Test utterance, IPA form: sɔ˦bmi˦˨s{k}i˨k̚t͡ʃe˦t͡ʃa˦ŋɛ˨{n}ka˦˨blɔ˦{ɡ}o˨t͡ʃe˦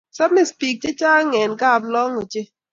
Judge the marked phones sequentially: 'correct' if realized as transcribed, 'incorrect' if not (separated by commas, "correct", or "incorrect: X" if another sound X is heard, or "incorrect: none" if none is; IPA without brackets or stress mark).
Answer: incorrect: p, correct, incorrect: ŋ